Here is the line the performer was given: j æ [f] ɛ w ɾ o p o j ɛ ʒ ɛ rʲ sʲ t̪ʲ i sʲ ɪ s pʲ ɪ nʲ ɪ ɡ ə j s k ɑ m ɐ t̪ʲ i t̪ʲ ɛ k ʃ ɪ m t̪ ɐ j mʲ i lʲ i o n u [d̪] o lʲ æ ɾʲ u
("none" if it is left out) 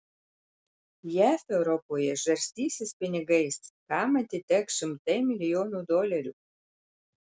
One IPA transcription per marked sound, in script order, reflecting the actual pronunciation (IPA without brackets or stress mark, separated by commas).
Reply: f, d̪